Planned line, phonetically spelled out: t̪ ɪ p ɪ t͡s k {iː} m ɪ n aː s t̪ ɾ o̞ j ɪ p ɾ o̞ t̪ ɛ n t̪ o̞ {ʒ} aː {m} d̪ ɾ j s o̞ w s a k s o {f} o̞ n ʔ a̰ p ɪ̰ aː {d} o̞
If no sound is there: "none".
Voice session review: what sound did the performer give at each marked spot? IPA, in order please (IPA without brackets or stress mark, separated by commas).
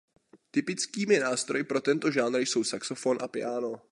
iː, ʒ, none, f, n